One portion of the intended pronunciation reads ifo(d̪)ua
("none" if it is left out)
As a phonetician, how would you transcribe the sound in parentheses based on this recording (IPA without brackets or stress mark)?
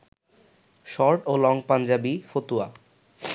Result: t̪